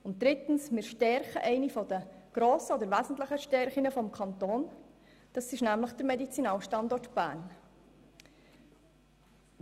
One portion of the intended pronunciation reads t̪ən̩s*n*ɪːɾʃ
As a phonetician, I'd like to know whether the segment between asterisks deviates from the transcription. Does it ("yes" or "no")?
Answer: yes